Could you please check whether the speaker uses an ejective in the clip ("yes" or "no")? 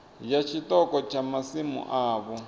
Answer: no